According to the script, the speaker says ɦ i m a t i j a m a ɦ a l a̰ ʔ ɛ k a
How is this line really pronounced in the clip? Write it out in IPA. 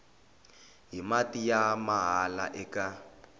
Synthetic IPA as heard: ɦ i m a t i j a m a ɦ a l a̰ ʔ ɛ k a